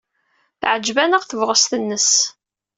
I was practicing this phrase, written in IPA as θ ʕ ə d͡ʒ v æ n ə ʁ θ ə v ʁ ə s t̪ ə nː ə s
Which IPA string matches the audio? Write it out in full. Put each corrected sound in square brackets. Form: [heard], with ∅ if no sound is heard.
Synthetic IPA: θ ʕ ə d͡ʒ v æ n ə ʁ θ ə v ʁ ə s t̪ ə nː ə s